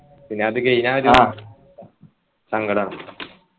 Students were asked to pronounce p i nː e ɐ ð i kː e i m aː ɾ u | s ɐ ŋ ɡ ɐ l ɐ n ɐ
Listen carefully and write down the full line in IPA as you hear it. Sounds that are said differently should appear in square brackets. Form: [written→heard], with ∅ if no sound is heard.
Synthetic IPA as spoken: p i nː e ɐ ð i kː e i [m→n] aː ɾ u | s ɐ ŋ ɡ ɐ [l→ɽ] ɐ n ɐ